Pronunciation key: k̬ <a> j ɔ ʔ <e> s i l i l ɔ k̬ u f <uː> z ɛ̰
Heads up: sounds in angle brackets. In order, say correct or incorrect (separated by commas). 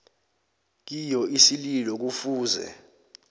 incorrect, incorrect, correct